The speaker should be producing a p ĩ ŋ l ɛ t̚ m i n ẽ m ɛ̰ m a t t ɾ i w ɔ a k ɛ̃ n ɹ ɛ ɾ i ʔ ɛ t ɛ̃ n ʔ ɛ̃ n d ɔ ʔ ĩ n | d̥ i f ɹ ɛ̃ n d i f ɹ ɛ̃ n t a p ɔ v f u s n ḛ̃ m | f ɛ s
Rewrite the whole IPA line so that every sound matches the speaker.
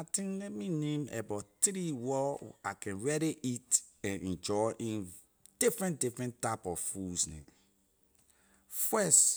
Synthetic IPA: a t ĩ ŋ l ɛ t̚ m i n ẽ m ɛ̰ b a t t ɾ i w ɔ a k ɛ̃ n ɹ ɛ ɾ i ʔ i t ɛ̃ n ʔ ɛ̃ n d͡ʒ ɔ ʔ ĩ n | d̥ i f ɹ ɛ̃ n d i f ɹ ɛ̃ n t a p ɔ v f u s n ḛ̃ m | f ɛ s